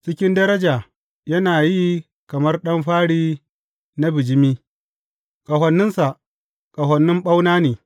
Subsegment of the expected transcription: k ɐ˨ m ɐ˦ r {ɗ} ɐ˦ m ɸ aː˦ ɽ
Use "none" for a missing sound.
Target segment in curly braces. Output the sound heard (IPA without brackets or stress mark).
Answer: ɗ